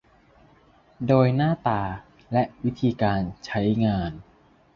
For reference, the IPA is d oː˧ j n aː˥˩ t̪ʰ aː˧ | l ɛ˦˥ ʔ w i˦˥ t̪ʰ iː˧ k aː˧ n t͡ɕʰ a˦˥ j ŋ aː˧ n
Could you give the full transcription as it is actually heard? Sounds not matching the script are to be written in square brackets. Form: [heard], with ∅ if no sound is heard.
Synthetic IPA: d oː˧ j n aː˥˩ [t̪] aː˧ | l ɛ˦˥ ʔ w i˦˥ t̪ʰ iː˧ k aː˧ n t͡ɕʰ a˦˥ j ŋ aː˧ n

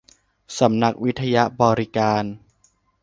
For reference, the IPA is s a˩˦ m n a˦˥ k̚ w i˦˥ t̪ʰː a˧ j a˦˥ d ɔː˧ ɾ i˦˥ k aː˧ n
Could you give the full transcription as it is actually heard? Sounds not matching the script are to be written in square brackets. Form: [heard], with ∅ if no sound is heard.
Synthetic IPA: s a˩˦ m n a˦˥ k̚ w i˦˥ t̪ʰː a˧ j a˦˥ [b] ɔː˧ ɾ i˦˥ k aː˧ n

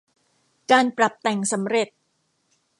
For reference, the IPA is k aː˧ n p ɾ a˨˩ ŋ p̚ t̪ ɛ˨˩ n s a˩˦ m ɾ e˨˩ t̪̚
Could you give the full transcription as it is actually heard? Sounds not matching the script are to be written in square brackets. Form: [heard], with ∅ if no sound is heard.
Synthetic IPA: k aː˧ n p ɾ a˨˩ [∅] p̚ t̪ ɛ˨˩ [ŋ] s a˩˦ m ɾ e˨˩ t̪̚

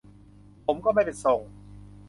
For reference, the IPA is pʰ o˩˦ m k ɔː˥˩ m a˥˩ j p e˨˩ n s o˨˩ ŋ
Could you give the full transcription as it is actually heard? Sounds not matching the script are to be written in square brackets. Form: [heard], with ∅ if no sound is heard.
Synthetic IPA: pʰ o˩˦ m k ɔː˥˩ m a˥˩ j p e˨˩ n s o˨˩ ŋ

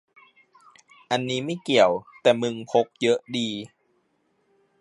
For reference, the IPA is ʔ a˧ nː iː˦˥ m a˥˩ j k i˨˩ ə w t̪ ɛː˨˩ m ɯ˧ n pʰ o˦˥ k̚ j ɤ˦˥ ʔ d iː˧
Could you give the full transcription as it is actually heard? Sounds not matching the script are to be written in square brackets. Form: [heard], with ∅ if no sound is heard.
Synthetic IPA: ʔ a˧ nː iː˦˥ m a˥˩ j k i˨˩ ə w t̪ ɛː˨˩ m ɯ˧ [ŋ] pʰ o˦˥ k̚ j ɤ˦˥ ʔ d iː˧

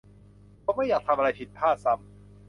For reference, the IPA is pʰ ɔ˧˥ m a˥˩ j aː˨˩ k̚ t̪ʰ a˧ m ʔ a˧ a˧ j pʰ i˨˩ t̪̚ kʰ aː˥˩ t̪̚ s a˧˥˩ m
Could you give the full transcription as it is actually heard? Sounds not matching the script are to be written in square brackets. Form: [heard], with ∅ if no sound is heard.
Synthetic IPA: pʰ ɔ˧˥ m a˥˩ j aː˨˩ k̚ t̪ʰ a˧ m ʔ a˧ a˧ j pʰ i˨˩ t̪̚ [pʰ] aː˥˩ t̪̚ s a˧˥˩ m

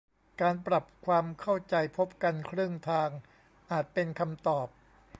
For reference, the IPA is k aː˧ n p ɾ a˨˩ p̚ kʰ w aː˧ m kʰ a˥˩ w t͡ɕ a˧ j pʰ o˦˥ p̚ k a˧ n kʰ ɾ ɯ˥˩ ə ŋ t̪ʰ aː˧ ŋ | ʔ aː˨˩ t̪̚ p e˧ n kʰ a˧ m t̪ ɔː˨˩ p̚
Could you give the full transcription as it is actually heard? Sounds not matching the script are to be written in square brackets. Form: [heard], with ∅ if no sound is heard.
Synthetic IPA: k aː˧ n p ɾ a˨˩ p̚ kʰ w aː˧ m kʰ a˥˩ w t͡ɕ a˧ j pʰ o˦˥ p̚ k a˧ n kʰ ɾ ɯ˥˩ ə ŋ t̪ʰ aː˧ ŋ | ʔ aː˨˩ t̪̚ p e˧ n kʰ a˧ m t̪ ɔː˨˩ p̚

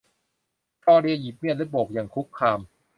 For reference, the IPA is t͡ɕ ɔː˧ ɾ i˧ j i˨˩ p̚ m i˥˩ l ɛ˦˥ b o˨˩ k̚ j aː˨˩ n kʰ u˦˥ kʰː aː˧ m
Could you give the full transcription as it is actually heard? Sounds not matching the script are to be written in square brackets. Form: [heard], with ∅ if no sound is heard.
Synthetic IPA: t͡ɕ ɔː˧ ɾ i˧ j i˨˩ p̚ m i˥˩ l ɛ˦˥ b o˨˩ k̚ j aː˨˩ [ŋ] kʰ u˦˥ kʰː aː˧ m

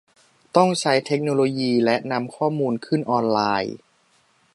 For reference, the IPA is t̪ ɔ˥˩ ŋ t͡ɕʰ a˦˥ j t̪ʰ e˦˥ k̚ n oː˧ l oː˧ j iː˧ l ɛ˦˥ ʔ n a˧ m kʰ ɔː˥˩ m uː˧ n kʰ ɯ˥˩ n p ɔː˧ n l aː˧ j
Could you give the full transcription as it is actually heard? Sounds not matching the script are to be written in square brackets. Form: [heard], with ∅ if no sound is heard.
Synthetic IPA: t̪ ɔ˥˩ ŋ t͡ɕʰ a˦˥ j t̪ʰ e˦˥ k̚ n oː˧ l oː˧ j iː˧ l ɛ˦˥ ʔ n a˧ m kʰ ɔː˥˩ m uː˧ n kʰ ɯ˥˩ n [ʔ] ɔː˧ n l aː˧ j

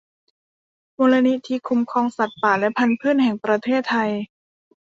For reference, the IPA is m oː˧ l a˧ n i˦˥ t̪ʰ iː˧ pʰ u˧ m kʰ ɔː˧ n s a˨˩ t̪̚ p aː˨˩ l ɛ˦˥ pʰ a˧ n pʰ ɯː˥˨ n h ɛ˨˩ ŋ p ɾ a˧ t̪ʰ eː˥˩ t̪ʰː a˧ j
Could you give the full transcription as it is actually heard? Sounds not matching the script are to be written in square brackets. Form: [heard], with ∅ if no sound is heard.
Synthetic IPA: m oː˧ l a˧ n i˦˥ t̪ʰ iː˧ [kʰ] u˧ m kʰ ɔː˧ [ŋ] s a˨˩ t̪̚ p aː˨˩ l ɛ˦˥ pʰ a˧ n pʰ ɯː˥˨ n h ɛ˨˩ ŋ p ɾ a˧ t̪ʰ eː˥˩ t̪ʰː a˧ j

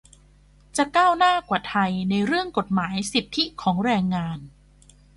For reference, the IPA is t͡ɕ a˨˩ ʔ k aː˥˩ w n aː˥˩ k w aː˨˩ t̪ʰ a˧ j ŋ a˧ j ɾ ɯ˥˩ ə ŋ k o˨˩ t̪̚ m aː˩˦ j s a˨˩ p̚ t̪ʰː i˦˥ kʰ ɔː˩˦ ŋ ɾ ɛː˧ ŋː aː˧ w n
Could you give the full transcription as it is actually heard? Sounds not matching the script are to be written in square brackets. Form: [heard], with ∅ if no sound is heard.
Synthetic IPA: t͡ɕ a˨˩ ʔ k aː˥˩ w n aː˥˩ k w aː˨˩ t̪ʰ a˧ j [n] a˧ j ɾ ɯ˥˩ ə ŋ k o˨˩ t̪̚ m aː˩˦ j s [i˨˩] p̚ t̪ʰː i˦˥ kʰ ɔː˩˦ ŋ ɾ ɛː˧ ŋː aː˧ [∅] n

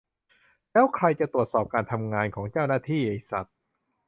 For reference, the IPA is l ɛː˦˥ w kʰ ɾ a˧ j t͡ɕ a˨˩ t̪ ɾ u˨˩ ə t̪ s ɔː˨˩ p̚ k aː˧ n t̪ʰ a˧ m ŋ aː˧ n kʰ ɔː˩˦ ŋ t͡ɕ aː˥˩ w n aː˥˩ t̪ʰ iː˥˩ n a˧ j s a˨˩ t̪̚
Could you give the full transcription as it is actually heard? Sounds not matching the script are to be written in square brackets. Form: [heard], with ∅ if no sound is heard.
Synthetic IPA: l ɛː˦˥ w kʰ ɾ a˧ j t͡ɕ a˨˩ t̪ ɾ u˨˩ ə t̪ s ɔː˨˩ p̚ k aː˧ n t̪ʰ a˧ m ŋ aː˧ n kʰ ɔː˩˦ ŋ t͡ɕ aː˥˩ w n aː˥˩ t̪ʰ iː˥˩ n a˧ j s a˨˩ t̪̚

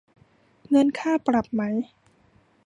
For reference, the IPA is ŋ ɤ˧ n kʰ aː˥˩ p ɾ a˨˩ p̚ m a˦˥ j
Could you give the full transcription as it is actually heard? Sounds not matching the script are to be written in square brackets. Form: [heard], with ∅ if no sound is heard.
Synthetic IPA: ŋ ɤ˧ n kʰ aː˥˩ p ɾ a˨˩ p̚ m a˦˥ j

